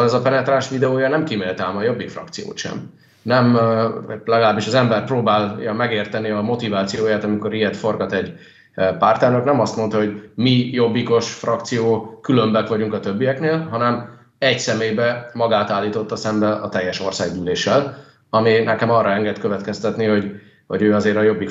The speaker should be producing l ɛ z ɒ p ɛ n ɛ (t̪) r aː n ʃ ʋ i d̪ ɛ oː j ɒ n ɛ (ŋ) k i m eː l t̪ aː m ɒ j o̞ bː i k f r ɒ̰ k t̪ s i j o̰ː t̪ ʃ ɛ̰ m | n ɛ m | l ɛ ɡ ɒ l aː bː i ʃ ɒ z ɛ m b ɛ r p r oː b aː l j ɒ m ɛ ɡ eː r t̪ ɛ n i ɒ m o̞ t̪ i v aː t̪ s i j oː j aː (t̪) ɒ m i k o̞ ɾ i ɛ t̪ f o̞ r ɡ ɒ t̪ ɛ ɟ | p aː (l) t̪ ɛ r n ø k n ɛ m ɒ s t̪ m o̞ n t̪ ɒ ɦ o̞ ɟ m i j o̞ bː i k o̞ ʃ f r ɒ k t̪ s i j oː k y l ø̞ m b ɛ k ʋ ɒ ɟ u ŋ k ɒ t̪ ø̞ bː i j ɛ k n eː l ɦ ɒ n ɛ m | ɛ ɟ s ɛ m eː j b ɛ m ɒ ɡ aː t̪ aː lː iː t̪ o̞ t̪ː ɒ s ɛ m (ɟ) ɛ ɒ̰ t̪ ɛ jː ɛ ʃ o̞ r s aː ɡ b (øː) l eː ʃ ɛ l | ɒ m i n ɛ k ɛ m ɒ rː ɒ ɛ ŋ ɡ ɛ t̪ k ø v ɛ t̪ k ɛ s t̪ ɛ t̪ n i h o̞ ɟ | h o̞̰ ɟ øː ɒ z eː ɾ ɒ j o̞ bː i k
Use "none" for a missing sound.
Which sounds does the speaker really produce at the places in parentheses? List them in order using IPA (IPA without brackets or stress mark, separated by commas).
t̪, m, t̪, r, b, yː